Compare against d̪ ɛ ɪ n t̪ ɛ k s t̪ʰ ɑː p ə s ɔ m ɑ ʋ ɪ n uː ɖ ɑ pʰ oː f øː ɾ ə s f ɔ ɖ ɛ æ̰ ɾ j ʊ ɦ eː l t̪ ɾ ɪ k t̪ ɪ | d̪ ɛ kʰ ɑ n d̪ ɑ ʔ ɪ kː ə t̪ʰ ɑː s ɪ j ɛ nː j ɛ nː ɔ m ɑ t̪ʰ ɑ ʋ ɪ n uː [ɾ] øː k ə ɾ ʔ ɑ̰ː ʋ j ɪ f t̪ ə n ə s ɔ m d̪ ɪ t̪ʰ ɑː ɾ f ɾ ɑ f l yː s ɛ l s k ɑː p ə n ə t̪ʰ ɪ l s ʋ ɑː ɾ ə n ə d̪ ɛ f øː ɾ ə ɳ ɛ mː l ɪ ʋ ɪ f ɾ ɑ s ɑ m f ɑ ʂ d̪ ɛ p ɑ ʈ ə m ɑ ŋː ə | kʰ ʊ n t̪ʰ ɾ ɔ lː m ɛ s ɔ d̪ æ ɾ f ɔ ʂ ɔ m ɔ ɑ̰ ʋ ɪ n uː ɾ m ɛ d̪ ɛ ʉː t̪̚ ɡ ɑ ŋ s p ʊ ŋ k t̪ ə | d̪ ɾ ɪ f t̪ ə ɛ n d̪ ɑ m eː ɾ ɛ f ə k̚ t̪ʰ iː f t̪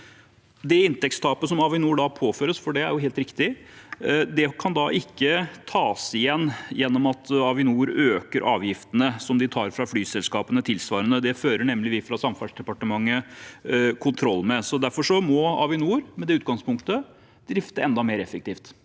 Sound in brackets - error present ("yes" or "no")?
no